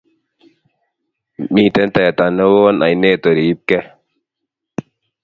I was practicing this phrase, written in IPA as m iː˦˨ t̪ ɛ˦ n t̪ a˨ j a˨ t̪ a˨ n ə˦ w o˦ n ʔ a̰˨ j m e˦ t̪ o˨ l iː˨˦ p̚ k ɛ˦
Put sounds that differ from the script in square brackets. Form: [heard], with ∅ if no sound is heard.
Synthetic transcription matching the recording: m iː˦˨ t̪ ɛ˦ n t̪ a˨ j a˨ t̪ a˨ n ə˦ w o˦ n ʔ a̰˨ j [n] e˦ t̪ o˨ [ɾ] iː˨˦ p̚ k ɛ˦